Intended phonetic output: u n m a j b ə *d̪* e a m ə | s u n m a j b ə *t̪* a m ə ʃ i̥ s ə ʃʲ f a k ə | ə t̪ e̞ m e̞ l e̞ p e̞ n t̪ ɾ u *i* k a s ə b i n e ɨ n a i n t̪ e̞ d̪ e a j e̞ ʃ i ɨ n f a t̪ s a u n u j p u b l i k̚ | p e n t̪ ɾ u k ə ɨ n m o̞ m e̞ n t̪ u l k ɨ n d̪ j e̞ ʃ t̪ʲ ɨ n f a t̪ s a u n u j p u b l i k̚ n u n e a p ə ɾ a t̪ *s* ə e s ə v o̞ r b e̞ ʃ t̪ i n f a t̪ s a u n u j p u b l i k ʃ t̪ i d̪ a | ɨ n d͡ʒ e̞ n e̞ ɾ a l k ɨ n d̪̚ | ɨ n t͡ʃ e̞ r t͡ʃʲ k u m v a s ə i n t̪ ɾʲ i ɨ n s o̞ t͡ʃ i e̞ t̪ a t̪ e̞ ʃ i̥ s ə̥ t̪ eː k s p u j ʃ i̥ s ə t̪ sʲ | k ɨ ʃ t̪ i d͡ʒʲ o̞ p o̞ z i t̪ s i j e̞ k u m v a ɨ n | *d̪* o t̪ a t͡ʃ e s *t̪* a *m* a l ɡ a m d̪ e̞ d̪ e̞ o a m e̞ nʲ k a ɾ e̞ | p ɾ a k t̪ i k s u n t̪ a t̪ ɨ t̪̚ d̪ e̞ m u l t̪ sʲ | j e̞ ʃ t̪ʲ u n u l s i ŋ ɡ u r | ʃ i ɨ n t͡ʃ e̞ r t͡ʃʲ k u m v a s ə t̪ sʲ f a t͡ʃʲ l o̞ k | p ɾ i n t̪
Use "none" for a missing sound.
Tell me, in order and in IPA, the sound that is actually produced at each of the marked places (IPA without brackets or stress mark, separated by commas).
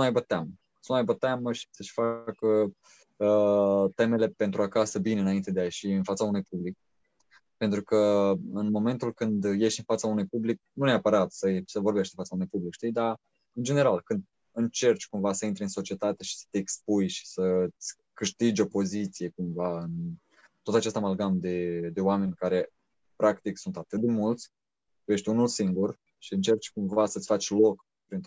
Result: t̪, t̪, a, s, t̪, t̪, m